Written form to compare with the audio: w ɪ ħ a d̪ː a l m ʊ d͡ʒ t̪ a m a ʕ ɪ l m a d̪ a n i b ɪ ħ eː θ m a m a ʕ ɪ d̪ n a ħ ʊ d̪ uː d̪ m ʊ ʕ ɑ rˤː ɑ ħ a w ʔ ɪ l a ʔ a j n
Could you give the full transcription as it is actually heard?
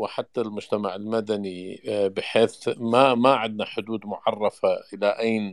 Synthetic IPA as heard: w ɪ ħ a t̪ː a l m ʊ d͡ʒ t̪ a m a ʕ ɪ l m a d̪ a n i b ɪ ħ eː θ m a m a ʕ ɪ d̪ n a ħ ʊ d̪ uː d̪ m ʊ ʕ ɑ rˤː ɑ f a ʔ ɪ l a ʔ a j n